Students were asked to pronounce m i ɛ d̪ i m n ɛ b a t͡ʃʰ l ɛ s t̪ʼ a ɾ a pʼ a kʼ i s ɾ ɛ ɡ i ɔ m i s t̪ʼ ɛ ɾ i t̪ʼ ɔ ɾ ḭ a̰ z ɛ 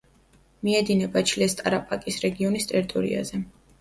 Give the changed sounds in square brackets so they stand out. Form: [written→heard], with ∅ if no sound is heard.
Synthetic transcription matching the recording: m i ɛ d̪ i [m→∅] n ɛ b a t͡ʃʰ l ɛ s t̪ʼ a ɾ a pʼ a kʼ i s ɾ ɛ ɡ i ɔ [m→n] i s t̪ʼ ɛ ɾ i t̪ʼ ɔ ɾ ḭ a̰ z ɛ